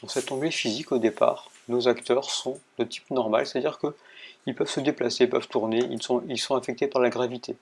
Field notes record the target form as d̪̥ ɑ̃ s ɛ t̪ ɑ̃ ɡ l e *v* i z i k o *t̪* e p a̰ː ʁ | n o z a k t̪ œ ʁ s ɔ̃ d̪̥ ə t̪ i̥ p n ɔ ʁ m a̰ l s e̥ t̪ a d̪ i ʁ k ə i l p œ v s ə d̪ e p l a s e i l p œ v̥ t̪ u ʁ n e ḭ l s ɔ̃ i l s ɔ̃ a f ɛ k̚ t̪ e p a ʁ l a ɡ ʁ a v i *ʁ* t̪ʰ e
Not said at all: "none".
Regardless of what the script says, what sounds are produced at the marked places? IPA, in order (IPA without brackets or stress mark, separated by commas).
f, d̪, none